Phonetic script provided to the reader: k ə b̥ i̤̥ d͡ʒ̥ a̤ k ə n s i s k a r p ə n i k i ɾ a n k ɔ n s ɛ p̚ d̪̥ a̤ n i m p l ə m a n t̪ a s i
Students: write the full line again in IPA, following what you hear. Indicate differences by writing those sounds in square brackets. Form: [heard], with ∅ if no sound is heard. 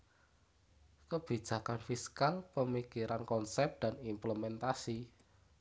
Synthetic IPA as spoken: k ə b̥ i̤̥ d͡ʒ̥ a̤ k [a] n [f] i s k a [l] p ə [m] i k i ɾ a n k ɔ n s ɛ p̚ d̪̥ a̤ n i m p l ə m [ɛ] n t̪ a s i